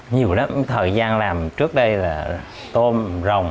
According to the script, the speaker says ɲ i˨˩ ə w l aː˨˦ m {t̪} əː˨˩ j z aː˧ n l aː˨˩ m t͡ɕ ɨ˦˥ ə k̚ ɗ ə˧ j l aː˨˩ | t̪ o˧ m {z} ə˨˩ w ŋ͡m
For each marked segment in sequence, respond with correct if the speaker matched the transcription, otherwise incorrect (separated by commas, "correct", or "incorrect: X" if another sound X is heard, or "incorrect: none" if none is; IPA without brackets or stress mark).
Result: incorrect: t̪ʰ, correct